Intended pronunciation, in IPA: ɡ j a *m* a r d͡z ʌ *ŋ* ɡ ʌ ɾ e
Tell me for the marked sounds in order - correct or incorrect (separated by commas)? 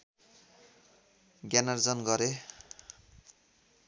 incorrect, incorrect